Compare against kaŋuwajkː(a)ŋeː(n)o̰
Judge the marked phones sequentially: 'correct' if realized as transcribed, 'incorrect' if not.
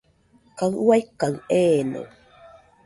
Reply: correct, correct

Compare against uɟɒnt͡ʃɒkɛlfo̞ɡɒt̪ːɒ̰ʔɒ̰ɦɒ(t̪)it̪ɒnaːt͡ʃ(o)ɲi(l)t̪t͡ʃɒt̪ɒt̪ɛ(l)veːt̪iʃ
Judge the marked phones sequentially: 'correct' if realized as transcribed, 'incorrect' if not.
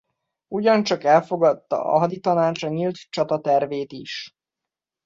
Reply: incorrect: d̪, incorrect: ɒ, correct, incorrect: r

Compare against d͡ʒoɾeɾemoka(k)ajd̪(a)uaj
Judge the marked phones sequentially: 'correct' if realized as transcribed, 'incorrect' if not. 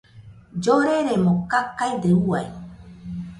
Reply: correct, incorrect: e

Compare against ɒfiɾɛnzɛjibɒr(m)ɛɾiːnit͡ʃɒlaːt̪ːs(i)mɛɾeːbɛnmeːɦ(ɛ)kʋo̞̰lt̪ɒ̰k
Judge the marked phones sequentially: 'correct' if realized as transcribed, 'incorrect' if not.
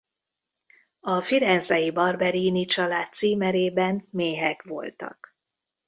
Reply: incorrect: b, incorrect: iː, correct

